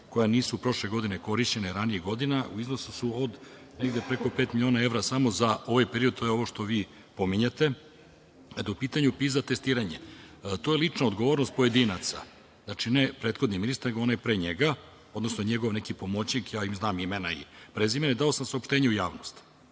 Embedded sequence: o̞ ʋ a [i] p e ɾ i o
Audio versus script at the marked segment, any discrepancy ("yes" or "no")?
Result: yes